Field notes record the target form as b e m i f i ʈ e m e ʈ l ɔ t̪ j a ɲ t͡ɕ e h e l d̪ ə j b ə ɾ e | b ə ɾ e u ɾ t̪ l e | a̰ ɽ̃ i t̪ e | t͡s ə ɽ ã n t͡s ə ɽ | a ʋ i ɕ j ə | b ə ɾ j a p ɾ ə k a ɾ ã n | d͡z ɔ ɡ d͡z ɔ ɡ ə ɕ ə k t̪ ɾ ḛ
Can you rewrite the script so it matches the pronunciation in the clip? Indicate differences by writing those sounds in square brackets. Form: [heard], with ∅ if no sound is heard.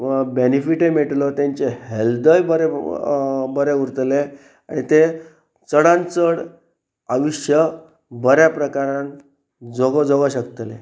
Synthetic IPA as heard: b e [n] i f i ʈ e m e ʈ l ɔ t̪ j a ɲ t͡ɕ e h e l d̪ ə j b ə ɾ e | b ə ɾ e u ɾ t̪ l e | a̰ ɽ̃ i t̪ e | t͡s ə ɽ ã n t͡s ə ɽ | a ʋ i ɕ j ə | b ə ɾ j a p ɾ ə k a ɾ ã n | d͡z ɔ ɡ d͡z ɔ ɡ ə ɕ ə k t̪ [l] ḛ